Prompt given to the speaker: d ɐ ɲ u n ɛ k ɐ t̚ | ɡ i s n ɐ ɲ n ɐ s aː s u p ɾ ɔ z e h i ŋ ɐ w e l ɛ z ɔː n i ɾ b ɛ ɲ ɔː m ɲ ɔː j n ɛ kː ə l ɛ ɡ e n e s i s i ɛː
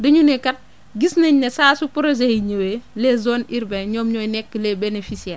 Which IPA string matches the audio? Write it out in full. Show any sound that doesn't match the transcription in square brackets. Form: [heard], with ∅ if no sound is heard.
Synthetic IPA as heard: d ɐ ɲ u n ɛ k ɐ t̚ | ɡ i s n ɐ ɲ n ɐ s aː s u p ɾ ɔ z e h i [ɲ] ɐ w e l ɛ z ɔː n i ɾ b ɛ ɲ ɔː m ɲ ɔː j n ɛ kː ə l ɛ [b] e n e [f] i s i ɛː